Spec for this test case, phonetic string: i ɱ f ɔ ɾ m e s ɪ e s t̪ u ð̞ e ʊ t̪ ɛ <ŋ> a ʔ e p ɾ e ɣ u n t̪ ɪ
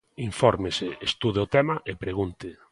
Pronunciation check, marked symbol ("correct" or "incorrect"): incorrect